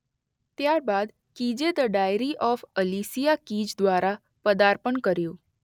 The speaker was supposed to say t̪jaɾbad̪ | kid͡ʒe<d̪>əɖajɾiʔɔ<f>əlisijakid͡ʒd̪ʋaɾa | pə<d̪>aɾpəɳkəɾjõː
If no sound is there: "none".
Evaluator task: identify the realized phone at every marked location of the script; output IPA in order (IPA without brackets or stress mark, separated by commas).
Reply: d̪, f, d̪